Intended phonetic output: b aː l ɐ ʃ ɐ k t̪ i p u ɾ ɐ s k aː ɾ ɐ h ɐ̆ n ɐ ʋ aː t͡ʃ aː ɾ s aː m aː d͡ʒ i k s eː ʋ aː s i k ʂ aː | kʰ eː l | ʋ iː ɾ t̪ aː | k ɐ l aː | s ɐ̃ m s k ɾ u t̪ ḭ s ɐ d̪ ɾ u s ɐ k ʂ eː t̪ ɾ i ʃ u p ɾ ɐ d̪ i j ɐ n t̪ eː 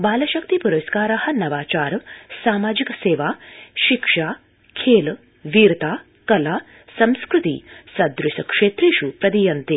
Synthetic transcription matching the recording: b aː l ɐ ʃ ɐ k t̪ i p u ɾ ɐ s k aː ɾ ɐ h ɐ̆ n ɐ ʋ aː t͡ʃ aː ɾ s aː m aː d͡ʒ i k s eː ʋ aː ʃ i k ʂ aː | kʰ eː l | ʋ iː ɾ t̪ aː | k ɐ l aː | s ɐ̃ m s k ɾ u t̪ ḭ s ɐ d̪ ɾ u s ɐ k ʂ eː t̪ ɾ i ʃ u p ɾ ɐ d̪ i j ɐ n t̪ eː

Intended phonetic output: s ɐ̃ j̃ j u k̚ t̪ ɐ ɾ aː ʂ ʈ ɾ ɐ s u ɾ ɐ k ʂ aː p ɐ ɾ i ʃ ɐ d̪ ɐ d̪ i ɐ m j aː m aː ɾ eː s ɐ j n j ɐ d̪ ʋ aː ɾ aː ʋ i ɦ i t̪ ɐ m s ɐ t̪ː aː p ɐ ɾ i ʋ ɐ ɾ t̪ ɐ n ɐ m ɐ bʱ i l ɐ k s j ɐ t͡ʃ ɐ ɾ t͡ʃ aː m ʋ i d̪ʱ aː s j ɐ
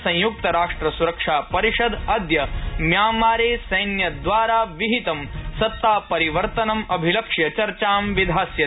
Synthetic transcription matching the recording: s ɐ̃ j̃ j u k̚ t̪ ɐ ɾ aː ʂ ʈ ɾ ɐ s u ɾ ɐ k ʂ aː p ɐ ɾ i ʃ ɐ d̪ ɐ d̪ j ɐ m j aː m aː ɾ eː s ɐ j n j ɐ d̪ ʋ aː ɾ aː ʋ i ɦ i t̪ ɐ m s ɐ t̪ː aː p ɐ ɾ i ʋ ɐ ɾ t̪ ɐ n ɐ m ɐ bʱ i l ɐ k ʂ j ɐ t͡ʃ ɐ ɾ t͡ʃ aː m ʋ i d̪ʱ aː s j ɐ

